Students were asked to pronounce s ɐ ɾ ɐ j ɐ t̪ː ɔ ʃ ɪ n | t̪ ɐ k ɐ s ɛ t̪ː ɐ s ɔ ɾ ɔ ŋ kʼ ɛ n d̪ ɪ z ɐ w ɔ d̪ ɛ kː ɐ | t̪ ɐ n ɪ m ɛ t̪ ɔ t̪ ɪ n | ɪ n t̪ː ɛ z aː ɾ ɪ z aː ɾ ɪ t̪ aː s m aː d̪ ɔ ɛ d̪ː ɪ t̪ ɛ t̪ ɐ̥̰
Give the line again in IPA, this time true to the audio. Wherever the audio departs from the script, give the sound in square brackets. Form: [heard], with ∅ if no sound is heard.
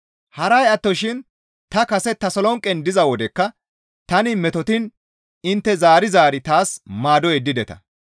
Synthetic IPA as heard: [h] ɐ ɾ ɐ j ɐ t̪ː ɔ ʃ ɪ n | t̪ ɐ k ɐ s ɛ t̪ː ɐ s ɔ [l] ɔ ŋ kʼ ɛ n d̪ ɪ z ɐ w ɔ d̪ ɛ kː ɐ | t̪ ɐ n ɪ m ɛ t̪ ɔ t̪ ɪ n | ɪ n t̪ː ɛ z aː ɾ ɪ z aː ɾ ɪ t̪ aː s m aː d̪ ɔ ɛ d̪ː ɪ [d̪] ɛ t̪ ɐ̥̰